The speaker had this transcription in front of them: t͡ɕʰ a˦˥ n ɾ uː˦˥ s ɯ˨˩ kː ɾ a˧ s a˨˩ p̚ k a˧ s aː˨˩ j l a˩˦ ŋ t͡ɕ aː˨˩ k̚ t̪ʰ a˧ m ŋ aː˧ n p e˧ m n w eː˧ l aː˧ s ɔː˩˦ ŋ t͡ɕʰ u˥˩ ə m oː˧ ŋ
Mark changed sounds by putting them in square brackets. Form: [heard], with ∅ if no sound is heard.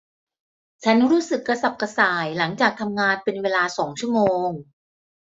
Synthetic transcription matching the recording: t͡ɕʰ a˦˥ n ɾ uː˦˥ s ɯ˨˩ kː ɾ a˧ s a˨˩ p̚ k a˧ s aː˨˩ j l a˩˦ ŋ t͡ɕ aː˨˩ k̚ t̪ʰ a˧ m ŋ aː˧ n p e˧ [∅] n w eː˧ l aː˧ s ɔː˩˦ ŋ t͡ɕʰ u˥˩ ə m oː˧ ŋ